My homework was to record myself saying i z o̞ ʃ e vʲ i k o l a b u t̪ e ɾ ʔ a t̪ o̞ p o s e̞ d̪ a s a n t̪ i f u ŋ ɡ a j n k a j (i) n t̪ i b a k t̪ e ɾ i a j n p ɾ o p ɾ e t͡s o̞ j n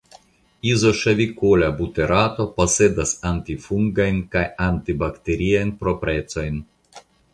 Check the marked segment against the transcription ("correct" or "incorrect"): incorrect